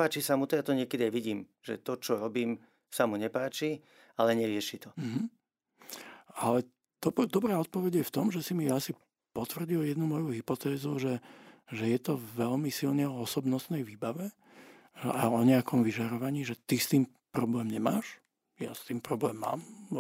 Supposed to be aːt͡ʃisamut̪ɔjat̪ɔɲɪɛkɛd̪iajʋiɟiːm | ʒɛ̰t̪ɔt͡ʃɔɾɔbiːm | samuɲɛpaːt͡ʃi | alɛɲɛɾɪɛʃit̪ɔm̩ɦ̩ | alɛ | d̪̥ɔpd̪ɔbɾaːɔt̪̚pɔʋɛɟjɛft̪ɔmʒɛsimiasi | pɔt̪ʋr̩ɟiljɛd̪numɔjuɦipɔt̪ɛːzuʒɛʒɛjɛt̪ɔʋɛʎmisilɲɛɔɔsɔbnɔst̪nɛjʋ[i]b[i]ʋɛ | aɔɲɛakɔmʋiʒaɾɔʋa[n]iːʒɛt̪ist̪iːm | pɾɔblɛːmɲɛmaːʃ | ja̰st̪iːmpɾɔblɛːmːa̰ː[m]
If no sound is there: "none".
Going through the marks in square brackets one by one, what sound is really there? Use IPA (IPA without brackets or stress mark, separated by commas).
iː, a, ɲ, m